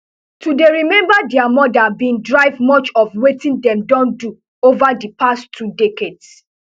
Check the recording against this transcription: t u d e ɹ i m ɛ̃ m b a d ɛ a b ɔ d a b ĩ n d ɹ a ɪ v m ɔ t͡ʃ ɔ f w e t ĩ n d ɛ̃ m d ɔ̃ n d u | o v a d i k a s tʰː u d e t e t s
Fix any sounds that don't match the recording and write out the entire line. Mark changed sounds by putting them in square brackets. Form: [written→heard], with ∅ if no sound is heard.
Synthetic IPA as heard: t u d e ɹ i m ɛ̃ m b a d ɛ a [b→m] ɔ d a b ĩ n d ɹ a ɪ v m ɔ t͡ʃ ɔ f w e t ĩ n d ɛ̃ m d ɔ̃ n d u | o v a d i [k→p] a s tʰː u d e [t→k] e [t→d] s